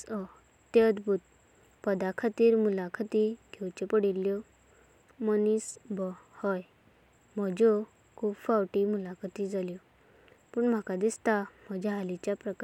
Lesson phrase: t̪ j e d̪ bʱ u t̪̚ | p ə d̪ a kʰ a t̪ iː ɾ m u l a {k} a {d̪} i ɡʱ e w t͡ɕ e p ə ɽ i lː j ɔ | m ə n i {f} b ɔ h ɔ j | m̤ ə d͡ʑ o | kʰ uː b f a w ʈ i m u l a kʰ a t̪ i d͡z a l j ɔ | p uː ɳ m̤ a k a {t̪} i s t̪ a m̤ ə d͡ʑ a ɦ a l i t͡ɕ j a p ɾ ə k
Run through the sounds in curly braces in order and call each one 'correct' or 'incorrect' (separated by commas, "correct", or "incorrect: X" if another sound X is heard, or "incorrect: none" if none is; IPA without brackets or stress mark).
incorrect: kʰ, incorrect: t̪, incorrect: s, incorrect: d̪